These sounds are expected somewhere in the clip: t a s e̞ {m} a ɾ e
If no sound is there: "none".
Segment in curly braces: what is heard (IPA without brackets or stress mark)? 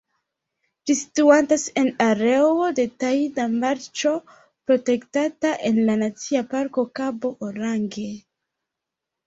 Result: n